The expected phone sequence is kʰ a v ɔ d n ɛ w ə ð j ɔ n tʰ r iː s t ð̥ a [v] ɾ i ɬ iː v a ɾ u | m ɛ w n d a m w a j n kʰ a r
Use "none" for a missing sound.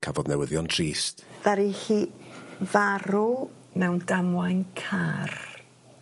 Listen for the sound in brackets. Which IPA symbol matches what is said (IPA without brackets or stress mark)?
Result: none